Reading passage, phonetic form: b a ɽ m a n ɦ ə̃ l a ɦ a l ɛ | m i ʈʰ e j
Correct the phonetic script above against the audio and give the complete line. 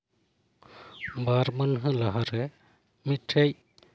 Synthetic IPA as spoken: b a ɾ m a n ɦ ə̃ l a ɦ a ɾ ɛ | m i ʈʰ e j